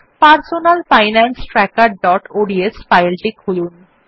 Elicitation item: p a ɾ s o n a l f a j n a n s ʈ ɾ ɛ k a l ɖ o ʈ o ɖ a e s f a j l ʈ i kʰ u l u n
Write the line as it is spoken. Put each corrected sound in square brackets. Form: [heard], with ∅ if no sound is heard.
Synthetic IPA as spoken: p a ɾ s o n a l f a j n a n s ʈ ɾ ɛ k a [ɾ] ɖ [ɔ] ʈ o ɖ [i] e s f a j l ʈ i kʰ u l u n